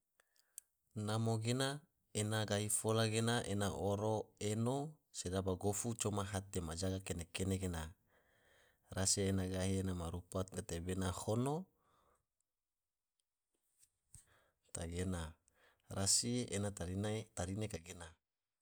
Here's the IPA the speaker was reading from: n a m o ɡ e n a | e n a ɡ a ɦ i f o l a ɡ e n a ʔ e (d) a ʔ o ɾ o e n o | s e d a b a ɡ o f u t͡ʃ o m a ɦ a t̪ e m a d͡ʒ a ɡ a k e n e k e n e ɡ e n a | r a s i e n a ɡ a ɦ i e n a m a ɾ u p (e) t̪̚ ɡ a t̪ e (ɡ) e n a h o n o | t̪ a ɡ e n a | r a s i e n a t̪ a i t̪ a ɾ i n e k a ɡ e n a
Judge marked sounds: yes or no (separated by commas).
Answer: no, no, no